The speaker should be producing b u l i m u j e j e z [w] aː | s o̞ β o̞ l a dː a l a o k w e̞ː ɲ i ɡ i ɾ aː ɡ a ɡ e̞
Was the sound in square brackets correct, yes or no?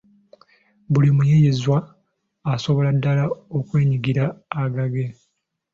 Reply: yes